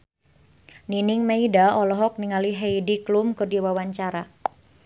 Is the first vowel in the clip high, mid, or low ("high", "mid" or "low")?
high